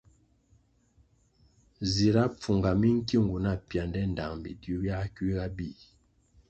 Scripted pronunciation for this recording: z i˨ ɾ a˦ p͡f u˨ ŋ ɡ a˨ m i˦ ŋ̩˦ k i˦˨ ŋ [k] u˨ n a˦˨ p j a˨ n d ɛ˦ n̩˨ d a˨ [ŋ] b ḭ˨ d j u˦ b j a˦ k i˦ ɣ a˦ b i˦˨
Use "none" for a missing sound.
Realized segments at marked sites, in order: ɡ, ŋ

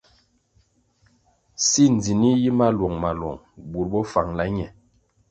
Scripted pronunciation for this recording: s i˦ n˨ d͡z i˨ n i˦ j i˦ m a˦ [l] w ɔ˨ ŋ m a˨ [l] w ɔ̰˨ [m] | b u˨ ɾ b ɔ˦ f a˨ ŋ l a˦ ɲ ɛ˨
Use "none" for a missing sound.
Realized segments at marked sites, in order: l, l, ŋ

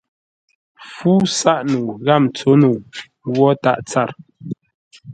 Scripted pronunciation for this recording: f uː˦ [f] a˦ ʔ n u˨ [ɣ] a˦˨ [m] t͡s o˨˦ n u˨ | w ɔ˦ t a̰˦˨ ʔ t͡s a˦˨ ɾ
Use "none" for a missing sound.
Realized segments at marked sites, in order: s, ɣ, m

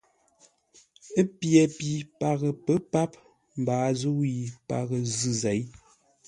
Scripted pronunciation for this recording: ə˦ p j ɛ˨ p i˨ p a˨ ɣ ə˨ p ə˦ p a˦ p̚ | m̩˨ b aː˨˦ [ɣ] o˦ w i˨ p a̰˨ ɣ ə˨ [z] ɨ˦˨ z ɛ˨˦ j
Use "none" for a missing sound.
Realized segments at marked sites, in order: z, z

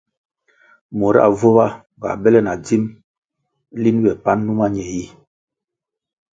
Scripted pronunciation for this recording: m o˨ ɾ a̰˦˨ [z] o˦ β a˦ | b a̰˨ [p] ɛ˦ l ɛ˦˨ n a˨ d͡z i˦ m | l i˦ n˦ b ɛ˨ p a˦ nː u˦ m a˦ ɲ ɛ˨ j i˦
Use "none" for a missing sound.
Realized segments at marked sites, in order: v, b

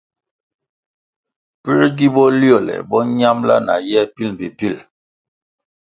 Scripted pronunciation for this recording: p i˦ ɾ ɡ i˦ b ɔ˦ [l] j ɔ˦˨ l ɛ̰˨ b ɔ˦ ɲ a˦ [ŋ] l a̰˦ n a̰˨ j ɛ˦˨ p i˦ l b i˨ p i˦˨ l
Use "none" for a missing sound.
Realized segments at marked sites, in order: l, m

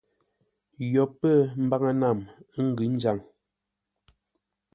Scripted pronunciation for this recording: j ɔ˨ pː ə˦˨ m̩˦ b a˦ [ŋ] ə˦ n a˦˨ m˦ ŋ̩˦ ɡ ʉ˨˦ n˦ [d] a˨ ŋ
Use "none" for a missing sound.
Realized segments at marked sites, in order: ŋ, d͡ʒ

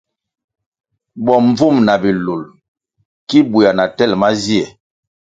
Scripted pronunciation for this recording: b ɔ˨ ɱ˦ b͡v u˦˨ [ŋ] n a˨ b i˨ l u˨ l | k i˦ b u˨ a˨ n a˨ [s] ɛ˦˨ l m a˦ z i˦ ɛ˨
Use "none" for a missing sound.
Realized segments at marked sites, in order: m, t

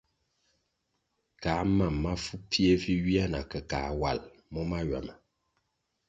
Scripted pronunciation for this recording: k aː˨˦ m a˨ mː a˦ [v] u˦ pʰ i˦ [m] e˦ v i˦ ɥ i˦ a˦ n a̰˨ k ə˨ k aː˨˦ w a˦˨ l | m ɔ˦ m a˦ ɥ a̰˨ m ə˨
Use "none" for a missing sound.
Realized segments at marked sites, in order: f, none

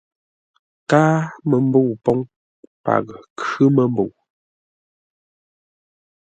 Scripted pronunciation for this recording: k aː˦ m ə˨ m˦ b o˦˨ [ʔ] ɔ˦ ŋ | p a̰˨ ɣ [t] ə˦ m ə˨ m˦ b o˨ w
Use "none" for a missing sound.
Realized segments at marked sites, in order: p, k

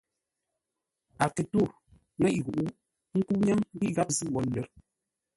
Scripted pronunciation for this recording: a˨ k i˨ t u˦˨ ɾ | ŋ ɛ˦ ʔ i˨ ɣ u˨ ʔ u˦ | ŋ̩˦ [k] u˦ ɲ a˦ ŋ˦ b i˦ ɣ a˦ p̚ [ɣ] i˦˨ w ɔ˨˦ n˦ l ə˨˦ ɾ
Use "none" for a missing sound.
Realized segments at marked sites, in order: k, z

